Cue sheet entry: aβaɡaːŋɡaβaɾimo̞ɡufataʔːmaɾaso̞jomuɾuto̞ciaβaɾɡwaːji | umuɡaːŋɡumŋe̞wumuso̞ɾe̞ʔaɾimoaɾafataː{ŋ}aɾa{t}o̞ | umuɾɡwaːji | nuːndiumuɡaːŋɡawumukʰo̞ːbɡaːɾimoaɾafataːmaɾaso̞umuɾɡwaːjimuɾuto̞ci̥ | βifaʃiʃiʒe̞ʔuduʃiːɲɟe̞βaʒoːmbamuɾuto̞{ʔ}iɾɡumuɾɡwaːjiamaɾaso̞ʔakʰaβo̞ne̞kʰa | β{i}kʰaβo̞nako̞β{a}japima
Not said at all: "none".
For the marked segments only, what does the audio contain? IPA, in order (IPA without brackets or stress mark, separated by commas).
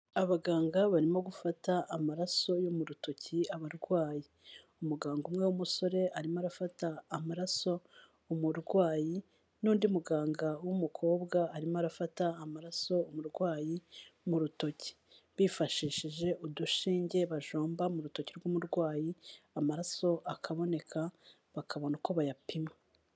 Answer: m, s, c, a, a